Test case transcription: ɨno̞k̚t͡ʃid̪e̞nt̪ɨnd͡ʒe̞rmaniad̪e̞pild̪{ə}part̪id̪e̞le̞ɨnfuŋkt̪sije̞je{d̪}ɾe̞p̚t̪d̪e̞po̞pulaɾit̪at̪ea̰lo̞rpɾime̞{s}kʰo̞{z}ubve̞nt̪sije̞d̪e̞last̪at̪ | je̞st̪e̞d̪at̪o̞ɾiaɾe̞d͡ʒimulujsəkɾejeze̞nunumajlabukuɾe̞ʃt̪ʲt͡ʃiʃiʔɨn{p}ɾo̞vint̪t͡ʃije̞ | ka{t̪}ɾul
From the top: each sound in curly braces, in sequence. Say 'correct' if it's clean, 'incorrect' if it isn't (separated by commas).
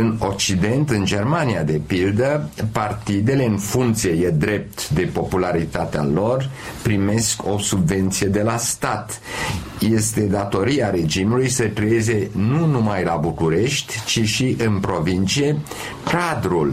correct, correct, correct, incorrect, correct, incorrect